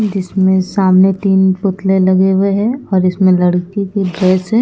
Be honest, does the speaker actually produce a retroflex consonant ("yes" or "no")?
yes